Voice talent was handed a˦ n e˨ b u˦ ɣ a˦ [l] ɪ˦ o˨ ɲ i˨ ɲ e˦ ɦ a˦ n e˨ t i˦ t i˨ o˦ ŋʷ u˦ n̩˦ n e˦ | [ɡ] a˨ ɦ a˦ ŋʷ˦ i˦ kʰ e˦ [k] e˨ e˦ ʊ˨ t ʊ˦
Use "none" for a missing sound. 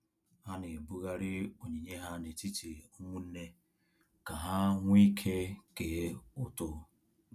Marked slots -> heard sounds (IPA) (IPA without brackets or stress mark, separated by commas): ɾ, k, k